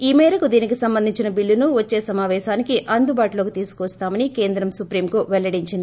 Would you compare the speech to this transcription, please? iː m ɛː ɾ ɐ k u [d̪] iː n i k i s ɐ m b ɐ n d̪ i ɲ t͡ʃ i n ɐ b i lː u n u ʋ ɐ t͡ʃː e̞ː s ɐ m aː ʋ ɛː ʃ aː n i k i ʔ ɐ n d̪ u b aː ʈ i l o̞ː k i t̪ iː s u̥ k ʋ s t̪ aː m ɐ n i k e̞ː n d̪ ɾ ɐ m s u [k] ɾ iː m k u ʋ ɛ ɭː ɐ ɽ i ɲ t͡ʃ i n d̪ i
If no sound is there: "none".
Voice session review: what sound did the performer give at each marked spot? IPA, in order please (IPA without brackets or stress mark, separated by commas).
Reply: d̪, p